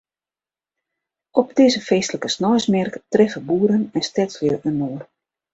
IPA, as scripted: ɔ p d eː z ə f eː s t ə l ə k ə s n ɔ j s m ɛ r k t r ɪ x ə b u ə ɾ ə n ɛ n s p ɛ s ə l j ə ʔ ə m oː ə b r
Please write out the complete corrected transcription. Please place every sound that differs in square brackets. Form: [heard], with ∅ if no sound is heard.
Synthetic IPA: ɔ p d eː z ə f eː s t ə l ə k ə s n ɔ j s m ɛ r k t r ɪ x ə b u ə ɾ ə n ɛ n s [t] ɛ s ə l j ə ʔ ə [n] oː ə [∅] r